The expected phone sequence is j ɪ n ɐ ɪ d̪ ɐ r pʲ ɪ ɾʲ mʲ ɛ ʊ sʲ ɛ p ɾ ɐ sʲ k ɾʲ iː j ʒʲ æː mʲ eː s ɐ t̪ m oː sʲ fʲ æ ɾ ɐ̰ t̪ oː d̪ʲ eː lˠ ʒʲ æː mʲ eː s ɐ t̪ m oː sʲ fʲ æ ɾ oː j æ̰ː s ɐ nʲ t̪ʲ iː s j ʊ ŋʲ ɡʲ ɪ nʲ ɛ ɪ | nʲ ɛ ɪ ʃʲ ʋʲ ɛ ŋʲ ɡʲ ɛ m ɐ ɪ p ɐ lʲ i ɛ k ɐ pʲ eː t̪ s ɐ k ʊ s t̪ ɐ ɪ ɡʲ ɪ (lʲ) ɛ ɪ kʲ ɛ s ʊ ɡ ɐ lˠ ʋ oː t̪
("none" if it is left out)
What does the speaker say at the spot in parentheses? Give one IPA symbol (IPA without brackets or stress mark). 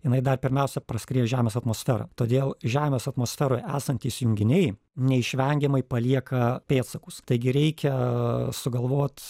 ɾʲ